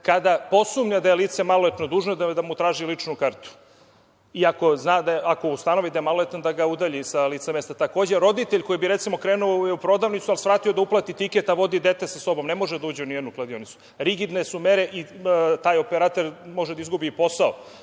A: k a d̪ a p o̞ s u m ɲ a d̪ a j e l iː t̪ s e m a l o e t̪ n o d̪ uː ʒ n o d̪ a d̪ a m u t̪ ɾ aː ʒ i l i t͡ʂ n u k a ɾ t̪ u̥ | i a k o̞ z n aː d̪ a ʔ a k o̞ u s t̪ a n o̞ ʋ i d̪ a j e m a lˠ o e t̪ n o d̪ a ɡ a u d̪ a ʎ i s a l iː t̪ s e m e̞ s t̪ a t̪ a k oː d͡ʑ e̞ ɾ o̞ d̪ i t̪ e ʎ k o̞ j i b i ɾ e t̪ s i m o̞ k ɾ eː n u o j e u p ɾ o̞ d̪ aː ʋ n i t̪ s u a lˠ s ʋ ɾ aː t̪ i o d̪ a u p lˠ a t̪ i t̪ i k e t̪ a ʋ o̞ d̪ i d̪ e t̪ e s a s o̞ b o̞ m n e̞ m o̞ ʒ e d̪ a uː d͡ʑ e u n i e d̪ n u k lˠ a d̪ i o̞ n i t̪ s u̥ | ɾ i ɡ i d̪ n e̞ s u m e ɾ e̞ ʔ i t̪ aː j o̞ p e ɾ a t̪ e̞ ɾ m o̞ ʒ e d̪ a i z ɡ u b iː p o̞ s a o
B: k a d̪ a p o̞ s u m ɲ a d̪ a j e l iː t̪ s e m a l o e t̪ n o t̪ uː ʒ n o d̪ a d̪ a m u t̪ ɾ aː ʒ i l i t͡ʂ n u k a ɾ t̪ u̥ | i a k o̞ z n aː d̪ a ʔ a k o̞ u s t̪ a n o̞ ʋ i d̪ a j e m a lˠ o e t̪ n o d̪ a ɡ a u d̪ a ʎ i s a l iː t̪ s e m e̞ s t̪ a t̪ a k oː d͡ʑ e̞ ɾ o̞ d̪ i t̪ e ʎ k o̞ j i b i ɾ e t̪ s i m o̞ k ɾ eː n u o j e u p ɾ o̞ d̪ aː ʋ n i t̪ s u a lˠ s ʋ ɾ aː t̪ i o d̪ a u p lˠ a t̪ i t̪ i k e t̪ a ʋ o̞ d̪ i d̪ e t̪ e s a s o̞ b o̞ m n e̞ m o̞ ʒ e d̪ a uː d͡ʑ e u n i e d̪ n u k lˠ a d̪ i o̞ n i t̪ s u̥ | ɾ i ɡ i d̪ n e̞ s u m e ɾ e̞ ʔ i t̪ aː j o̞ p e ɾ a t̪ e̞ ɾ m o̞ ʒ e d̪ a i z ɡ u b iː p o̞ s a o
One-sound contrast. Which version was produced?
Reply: A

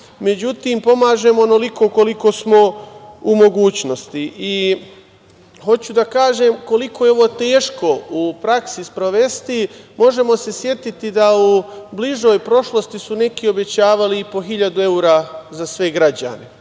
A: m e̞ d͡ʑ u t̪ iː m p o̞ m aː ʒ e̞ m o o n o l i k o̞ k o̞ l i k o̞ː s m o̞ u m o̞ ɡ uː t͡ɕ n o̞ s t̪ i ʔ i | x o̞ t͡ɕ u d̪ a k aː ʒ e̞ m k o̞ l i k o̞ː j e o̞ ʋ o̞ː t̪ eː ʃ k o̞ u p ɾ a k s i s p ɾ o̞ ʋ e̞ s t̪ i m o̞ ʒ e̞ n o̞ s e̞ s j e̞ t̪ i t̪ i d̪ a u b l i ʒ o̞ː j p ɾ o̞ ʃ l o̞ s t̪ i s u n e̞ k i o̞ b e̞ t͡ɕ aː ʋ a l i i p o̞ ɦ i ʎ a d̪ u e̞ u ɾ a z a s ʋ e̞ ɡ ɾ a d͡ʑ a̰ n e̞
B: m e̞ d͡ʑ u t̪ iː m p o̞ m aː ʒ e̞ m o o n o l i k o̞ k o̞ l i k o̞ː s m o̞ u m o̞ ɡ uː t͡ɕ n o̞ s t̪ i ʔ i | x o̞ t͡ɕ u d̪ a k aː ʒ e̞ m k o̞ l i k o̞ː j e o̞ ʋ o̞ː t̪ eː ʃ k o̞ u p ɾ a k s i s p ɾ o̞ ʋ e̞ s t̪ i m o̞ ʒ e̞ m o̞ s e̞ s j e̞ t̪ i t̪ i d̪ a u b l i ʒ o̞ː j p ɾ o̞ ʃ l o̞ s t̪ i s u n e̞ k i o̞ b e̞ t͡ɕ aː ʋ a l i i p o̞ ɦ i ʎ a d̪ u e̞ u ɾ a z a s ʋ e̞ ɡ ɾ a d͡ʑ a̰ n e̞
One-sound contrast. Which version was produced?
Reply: B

